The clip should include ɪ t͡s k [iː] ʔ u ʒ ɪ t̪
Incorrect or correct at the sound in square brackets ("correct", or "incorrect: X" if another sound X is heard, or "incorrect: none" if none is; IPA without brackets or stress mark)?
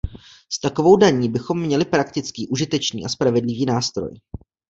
correct